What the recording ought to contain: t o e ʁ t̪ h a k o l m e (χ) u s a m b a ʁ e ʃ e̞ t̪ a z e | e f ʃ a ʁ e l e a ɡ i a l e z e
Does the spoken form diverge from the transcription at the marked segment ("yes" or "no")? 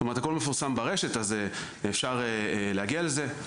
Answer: yes